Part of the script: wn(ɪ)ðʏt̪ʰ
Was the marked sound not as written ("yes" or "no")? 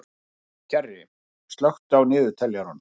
yes